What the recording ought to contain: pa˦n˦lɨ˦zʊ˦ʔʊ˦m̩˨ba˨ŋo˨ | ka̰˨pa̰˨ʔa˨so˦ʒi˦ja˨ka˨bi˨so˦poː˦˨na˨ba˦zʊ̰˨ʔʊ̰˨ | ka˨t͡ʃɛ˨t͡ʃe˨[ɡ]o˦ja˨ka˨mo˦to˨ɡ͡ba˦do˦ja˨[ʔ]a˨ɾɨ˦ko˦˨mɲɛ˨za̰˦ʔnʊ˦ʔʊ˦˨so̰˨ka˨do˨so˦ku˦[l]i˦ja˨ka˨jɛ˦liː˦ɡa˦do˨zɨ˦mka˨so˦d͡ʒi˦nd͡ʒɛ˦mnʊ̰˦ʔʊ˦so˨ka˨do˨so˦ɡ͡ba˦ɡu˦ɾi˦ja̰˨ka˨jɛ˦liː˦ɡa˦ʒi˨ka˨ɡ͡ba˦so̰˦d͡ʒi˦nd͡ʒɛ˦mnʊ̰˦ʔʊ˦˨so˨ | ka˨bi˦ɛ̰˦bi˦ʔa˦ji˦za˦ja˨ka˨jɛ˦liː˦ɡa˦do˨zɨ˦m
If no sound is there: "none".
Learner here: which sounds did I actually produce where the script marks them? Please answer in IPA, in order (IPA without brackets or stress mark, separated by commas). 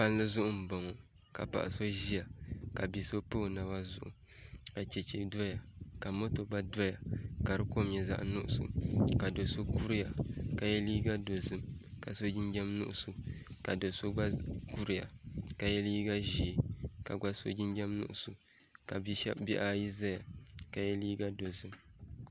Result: d, k, ɾ